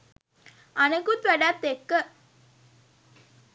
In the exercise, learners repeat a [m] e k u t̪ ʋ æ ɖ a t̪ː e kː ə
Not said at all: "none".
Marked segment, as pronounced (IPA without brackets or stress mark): n